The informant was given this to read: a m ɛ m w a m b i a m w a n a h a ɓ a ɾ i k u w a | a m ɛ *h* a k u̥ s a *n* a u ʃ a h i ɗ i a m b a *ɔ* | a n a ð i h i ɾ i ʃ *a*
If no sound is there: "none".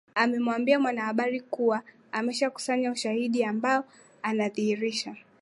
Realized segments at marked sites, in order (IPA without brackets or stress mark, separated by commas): ʃ, ɲ, ɔ, a